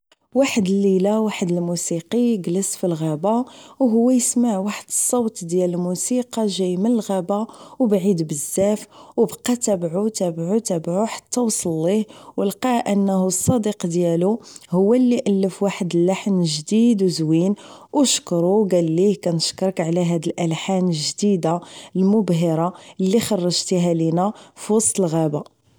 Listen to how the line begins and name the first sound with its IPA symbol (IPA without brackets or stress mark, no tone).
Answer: w